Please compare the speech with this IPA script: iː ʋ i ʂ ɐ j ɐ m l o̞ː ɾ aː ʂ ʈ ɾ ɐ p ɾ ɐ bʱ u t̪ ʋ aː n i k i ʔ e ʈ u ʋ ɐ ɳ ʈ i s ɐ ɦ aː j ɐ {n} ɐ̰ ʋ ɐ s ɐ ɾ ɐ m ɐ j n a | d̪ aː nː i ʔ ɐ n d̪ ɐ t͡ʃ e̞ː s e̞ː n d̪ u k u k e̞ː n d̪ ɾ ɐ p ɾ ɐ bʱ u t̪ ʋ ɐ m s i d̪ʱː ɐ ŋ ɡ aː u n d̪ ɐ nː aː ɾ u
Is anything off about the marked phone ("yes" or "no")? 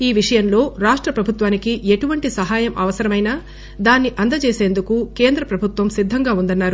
yes